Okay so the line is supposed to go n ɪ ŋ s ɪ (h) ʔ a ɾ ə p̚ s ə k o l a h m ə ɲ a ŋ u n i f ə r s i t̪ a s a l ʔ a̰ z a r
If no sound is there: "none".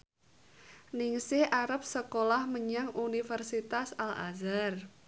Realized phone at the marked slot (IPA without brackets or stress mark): h